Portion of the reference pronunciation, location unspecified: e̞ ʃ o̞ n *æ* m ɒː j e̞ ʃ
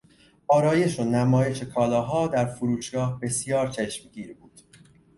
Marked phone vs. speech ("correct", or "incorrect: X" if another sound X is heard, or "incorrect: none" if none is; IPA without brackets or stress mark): correct